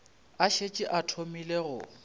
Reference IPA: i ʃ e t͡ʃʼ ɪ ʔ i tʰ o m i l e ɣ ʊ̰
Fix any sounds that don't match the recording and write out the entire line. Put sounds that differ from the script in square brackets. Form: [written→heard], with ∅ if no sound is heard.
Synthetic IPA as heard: [i→a] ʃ e t͡ʃʼ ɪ ʔ [i→a] tʰ o m i l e ɣ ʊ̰